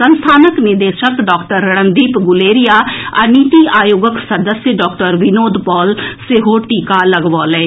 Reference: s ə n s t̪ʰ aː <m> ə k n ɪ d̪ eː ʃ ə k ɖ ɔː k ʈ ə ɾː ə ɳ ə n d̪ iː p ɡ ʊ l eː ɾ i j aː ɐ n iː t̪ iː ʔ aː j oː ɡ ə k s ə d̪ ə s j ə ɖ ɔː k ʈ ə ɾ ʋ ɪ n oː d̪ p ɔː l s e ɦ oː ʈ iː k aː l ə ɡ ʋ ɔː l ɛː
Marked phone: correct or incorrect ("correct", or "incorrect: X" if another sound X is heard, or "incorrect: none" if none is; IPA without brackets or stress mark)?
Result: incorrect: n